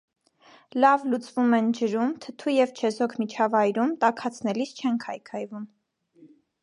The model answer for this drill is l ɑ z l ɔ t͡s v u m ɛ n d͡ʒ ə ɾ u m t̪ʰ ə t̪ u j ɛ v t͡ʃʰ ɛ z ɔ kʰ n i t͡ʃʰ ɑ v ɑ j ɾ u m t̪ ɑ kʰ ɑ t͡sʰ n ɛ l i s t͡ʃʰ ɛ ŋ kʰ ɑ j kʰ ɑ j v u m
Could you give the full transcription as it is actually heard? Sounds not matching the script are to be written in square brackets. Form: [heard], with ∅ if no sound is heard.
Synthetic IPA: l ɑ [v] l [u] t͡s v u m ɛ n d͡ʒ ə ɾ u m t̪ʰ ə [t̪ʰ] u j ɛ v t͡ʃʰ ɛ z ɔ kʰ [m] i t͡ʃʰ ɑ v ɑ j ɾ u m t̪ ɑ kʰ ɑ t͡sʰ n ɛ l i s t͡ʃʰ ɛ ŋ kʰ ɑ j kʰ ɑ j v u m